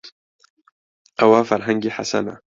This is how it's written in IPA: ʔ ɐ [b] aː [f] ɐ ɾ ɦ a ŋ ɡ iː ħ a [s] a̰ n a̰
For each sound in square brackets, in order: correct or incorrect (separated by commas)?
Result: incorrect, correct, correct